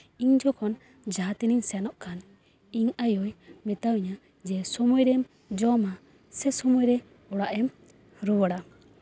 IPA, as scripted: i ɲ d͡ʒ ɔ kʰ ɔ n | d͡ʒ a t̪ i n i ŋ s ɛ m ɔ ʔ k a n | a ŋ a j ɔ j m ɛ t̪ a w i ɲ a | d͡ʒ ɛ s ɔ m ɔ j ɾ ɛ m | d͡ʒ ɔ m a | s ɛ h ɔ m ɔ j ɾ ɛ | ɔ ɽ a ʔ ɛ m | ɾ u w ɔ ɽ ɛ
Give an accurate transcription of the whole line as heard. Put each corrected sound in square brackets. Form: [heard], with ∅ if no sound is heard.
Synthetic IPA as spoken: i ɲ d͡ʒ ɔ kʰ ɔ n | d͡ʒ a t̪ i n i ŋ s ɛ [n] ɔ ʔ k a n | [i] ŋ a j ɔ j m ɛ t̪ a w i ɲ a | d͡ʒ ɛ s ɔ m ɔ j ɾ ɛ m | d͡ʒ ɔ m a | s ɛ [s] ɔ m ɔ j ɾ ɛ | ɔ ɽ a ʔ ɛ m | ɾ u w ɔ ɽ [a]